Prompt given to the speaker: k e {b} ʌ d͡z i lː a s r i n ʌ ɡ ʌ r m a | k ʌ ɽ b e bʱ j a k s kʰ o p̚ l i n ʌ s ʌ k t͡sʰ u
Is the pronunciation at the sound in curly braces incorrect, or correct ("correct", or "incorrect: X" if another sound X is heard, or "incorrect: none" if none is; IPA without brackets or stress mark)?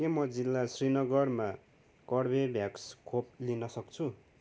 incorrect: m